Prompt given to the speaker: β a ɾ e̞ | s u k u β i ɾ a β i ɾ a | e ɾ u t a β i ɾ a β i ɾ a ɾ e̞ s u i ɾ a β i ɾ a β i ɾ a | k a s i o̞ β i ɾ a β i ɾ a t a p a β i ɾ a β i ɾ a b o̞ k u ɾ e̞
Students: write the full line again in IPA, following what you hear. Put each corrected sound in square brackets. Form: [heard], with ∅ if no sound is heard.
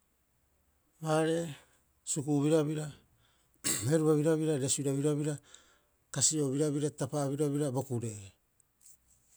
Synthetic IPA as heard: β a ɾ e̞ | s u k u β i ɾ a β i ɾ a | e ɾ u [∅] a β i ɾ a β i ɾ a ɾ e̞ s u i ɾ a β i ɾ a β i ɾ a | k a s i o̞ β i ɾ a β i ɾ a t a p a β i ɾ a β i ɾ a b o̞ k u ɾ e̞

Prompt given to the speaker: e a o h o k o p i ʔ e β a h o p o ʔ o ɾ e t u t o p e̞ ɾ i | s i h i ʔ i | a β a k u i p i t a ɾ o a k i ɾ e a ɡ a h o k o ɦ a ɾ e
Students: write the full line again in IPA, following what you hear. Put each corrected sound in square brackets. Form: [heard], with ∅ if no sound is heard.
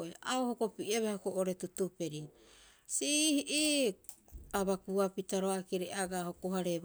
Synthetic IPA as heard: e a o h o k o p i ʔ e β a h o [k] o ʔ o ɾ e t u t [u] p e̞ ɾ i | s i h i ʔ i | a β a k u [a] p i t a ɾ o a k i ɾ e a ɡ a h o k o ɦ a ɾ e

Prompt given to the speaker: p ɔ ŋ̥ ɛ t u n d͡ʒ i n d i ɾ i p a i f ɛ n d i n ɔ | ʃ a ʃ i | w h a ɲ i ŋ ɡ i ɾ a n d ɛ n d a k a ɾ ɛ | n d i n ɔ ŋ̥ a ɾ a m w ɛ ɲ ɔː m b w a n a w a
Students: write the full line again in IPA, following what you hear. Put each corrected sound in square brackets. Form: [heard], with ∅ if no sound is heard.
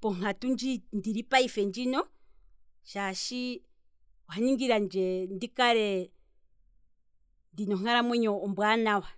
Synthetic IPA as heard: p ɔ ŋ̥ [a] t u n d͡ʒ i n d i ɾ i p a i f ɛ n [d͡ʒ] i n ɔ | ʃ a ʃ i | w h a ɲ i ŋ ɡ i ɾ a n [d͡ʒ] ɛ n d [i] k a ɾ ɛ | n d i n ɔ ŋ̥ a ɾ a m w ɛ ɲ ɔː m b w a n a w a

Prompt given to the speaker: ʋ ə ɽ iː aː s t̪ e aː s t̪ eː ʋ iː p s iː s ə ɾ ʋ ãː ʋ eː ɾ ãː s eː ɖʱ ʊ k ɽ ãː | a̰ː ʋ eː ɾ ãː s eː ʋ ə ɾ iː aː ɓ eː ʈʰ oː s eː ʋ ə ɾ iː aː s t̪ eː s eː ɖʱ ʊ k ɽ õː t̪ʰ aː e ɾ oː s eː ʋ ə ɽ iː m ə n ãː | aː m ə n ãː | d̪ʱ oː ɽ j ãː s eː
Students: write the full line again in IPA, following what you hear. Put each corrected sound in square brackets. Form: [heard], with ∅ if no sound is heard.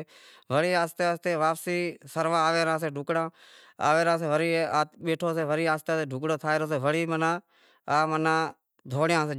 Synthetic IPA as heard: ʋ ə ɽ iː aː s t̪ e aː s t̪ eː ʋ [aː] p s iː s ə ɾ ʋ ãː ʋ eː ɾ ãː s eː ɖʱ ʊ k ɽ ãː | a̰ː ʋ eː ɾ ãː s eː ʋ ə ɾ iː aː ɓ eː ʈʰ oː s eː ʋ ə ɾ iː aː s t̪ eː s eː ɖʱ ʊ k ɽ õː t̪ʰ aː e ɾ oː s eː ʋ ə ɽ iː m ə n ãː | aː m ə n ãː | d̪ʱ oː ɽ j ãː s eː

